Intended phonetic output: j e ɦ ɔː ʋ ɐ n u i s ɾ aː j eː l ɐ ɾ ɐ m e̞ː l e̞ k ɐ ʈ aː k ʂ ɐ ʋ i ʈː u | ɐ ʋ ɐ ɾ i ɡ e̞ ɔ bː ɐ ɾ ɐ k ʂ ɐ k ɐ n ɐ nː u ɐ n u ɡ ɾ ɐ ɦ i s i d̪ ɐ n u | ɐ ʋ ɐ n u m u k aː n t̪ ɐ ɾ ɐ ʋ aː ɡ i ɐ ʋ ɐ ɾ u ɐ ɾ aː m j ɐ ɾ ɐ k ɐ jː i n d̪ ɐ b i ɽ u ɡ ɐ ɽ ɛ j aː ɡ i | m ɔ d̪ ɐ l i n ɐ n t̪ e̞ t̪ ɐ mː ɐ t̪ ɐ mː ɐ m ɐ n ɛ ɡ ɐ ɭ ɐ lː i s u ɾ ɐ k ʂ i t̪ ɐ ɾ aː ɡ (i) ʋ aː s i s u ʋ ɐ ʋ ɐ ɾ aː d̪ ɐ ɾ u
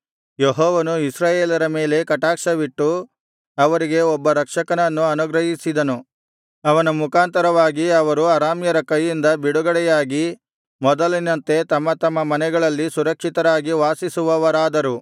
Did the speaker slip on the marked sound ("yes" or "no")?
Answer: no